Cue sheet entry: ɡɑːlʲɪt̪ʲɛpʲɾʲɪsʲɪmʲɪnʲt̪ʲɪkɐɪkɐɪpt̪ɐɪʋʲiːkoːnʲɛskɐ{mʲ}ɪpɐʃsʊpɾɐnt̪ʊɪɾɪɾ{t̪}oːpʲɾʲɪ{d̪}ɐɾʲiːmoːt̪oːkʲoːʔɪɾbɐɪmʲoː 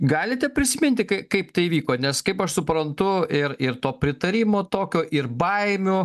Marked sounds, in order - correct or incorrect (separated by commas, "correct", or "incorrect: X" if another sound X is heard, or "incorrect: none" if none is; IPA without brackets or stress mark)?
incorrect: none, correct, incorrect: t̪